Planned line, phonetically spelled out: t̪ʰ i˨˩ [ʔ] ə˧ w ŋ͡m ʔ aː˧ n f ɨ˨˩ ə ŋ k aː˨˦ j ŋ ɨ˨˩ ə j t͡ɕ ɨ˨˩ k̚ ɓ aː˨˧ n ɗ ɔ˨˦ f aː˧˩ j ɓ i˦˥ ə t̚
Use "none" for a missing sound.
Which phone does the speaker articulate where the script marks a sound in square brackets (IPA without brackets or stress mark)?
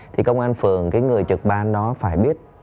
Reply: k